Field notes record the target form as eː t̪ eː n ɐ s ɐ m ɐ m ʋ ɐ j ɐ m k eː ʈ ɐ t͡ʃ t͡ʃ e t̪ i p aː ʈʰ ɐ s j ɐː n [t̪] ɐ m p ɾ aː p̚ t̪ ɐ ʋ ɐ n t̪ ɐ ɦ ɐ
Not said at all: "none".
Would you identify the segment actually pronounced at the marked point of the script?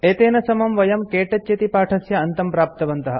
t̪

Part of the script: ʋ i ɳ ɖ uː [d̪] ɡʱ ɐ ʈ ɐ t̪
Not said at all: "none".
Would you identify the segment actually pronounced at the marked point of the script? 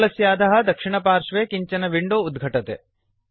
d̪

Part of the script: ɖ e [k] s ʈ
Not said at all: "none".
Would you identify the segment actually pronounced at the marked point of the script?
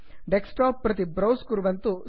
k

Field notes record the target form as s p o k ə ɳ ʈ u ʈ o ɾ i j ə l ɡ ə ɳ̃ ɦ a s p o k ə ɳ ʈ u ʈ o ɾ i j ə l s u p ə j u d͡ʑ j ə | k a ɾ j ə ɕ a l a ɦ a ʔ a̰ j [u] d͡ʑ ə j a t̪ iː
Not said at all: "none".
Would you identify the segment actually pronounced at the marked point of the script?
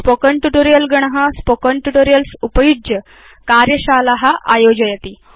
o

